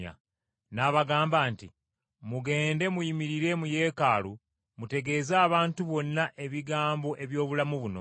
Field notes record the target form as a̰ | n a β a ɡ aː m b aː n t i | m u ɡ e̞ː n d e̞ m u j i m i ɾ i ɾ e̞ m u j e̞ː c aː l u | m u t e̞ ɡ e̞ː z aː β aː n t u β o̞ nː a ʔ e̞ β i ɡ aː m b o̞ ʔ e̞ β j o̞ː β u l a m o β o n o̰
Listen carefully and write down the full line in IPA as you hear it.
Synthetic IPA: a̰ | n a β a ɡ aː m b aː n t i | m u ɡ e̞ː n d e̞ m u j i m i ɾ i ɾ e̞ m u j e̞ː k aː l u | m u t e̞ ɡ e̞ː z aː β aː n t u β o̞ nː a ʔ e̞ β i ɡ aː m b o̞ ʔ e̞ β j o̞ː β u l a m u β u n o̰